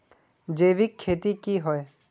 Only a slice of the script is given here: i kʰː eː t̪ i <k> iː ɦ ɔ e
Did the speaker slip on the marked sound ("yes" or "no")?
no